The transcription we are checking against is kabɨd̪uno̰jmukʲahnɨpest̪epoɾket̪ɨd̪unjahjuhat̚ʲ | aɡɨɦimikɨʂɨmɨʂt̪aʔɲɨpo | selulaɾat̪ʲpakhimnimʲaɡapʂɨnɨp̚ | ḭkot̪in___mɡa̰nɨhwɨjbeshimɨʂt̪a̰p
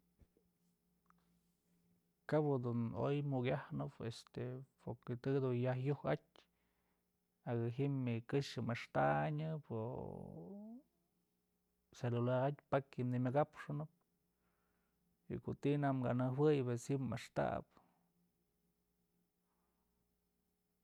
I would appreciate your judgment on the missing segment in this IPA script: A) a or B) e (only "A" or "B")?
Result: A